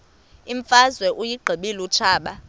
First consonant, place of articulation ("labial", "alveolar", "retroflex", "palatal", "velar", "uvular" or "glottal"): labial